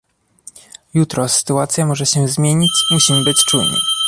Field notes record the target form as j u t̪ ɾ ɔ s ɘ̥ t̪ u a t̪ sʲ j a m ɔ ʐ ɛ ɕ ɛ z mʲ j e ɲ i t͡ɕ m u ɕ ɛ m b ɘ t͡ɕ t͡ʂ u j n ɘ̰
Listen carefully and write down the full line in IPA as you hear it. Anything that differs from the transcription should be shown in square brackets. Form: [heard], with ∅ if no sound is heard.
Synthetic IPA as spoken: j u t̪ ɾ ɔ s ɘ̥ t̪ u a t̪ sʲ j a m ɔ ʐ ɛ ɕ ɛ z mʲ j e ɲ i t͡ɕ m u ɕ [i] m b ɘ t͡ɕ t͡ʂ u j n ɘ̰